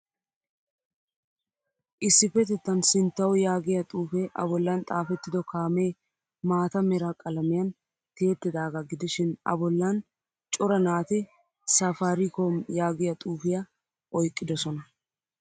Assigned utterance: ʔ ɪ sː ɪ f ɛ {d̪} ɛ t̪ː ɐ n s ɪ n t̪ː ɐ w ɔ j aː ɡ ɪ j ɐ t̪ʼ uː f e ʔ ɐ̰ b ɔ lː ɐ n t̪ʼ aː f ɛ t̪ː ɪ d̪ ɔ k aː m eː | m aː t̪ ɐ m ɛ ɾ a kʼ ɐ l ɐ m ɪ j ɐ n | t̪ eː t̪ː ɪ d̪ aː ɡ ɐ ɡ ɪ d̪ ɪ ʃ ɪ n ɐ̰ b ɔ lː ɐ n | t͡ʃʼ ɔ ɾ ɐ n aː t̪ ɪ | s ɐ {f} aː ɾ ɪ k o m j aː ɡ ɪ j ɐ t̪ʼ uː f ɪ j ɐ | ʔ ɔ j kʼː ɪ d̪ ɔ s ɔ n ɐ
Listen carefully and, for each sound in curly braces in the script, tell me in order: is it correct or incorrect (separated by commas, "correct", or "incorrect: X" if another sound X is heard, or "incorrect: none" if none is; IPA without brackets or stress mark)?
incorrect: t̪, correct